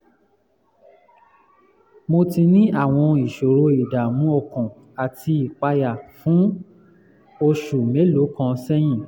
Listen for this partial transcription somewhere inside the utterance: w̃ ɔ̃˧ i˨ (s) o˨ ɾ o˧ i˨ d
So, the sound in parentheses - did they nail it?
no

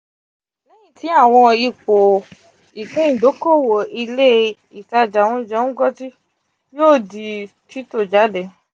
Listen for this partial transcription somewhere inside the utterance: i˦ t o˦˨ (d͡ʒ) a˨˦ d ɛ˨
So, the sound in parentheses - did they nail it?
yes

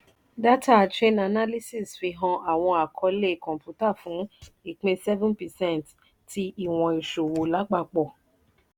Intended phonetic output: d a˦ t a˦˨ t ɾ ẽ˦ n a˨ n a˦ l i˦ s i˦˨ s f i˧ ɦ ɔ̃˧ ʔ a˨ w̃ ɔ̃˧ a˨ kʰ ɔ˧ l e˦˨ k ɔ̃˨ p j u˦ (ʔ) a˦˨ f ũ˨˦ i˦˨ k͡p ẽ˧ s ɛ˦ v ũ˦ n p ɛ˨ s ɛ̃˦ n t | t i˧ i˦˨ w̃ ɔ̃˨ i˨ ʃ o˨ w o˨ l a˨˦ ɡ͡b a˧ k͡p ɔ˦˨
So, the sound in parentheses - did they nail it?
no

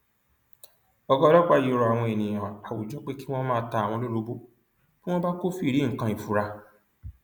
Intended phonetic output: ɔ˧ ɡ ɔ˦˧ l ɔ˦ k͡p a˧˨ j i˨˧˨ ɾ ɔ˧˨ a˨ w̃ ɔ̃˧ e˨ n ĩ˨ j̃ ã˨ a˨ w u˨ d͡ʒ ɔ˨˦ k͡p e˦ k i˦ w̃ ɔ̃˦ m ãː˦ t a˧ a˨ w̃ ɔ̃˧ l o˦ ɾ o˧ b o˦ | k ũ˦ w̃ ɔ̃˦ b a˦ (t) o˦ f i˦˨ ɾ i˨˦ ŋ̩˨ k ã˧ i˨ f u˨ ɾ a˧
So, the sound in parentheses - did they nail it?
no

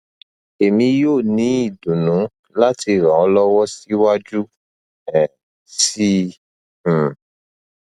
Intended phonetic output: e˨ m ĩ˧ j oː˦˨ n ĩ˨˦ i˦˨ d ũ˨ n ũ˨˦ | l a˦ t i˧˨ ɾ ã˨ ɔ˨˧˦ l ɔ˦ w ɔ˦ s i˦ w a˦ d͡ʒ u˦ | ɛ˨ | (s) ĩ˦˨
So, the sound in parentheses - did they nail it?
yes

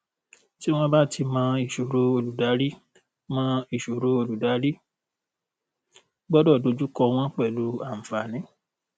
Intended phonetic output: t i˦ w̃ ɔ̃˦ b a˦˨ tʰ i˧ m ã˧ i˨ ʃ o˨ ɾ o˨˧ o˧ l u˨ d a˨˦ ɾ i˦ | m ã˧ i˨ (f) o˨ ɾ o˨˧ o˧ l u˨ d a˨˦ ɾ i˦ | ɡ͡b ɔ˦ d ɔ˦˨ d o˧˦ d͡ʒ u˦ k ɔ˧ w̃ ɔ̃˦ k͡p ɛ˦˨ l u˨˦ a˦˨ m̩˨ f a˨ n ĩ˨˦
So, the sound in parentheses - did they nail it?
no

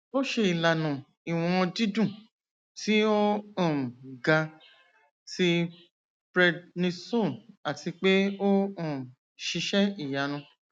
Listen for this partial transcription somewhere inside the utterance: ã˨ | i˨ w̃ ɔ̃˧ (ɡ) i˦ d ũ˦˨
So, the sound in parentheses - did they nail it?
no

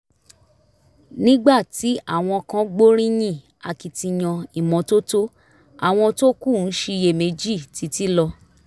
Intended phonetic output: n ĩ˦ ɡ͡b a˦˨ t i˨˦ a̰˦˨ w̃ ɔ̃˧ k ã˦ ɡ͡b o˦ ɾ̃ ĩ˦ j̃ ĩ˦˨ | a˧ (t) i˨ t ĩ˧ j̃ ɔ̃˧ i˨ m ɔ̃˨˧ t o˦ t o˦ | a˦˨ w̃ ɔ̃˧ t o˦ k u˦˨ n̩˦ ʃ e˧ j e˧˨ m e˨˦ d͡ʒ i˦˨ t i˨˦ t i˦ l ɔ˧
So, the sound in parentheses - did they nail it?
no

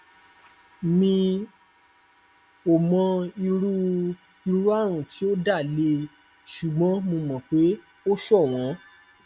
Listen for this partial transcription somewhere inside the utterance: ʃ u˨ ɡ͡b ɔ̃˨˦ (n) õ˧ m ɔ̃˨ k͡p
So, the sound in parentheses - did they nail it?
no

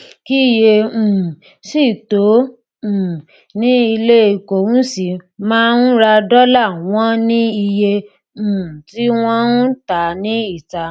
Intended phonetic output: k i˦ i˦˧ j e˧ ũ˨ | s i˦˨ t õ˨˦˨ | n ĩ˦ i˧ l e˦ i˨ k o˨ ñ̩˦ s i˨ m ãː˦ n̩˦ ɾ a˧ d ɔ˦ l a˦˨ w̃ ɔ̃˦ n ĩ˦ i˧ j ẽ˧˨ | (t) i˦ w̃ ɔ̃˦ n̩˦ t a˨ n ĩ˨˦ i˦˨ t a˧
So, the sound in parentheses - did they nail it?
yes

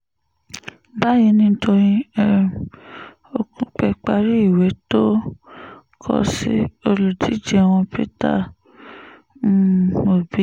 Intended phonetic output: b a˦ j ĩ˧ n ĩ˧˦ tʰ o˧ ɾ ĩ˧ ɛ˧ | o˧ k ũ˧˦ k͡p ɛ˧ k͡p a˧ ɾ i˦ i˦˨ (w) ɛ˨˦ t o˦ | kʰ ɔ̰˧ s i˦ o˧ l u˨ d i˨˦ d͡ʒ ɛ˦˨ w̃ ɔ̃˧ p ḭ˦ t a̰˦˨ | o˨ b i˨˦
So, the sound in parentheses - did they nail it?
yes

